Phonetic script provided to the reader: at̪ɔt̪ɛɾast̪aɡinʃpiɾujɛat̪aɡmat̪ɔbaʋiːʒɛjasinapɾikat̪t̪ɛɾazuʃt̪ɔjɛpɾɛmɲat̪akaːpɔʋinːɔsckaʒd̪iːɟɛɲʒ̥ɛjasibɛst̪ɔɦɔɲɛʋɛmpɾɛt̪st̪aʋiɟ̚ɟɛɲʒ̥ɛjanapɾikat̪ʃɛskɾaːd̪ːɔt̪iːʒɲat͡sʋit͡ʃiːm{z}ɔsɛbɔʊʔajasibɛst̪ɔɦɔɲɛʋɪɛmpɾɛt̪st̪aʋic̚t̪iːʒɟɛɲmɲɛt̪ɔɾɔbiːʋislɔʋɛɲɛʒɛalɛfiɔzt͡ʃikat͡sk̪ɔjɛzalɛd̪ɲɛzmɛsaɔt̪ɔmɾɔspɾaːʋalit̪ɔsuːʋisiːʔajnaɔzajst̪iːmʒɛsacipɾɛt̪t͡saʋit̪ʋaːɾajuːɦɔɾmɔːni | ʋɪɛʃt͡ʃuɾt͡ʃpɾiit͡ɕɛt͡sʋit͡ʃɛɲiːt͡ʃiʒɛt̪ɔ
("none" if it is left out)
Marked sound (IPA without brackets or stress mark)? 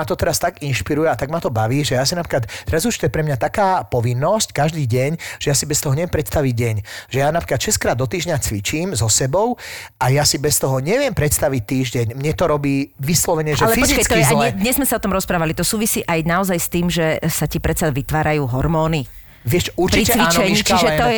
z